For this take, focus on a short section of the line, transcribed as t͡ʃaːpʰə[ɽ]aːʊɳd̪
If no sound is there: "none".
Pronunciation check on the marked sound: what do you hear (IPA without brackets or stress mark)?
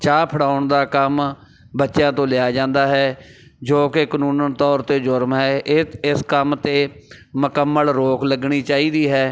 ɽ